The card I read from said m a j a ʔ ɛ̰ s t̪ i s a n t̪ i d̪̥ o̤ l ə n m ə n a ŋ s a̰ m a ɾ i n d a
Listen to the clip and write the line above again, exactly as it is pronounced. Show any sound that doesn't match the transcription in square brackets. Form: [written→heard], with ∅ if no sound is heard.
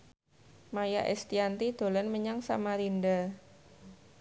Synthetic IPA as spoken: m a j a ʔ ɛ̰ s t̪ i [s→∅] a n t̪ i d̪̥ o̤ l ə n m ə [n→ɲ] a ŋ s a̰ m a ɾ i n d a